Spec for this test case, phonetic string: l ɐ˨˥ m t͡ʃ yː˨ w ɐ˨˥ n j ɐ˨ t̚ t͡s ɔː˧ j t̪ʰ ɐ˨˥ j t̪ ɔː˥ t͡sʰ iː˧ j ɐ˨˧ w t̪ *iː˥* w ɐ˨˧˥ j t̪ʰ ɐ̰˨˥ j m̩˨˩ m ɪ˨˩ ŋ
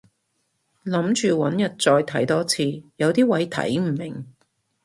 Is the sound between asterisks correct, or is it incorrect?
correct